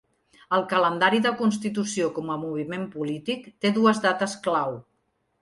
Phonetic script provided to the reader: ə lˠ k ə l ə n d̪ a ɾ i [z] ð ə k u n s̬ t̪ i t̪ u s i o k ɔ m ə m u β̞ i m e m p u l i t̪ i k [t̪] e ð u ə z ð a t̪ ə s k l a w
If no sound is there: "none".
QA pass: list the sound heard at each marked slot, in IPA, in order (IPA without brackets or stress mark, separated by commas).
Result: none, t̪